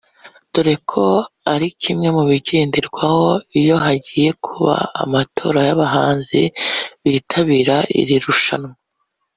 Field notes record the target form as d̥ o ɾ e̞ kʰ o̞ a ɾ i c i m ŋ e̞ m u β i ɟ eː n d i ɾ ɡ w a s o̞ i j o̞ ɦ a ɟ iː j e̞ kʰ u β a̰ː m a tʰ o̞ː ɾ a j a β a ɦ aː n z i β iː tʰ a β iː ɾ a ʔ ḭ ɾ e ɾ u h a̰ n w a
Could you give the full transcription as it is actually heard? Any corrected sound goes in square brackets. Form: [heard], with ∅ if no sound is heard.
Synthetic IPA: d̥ o ɾ e̞ kʰ o̞ a ɾ i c i m ŋ e̞ m u β i ɟ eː n d i ɾ ɡ w a [h] o̞ i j o̞ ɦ a ɟ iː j e̞ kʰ u β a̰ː m a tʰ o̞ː ɾ a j a β a ɦ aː n z i β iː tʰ a β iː ɾ a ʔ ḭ ɾ [i] ɾ u [ʃ] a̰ n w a